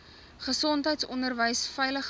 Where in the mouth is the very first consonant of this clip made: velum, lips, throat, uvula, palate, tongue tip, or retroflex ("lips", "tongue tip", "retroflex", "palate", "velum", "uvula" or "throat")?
uvula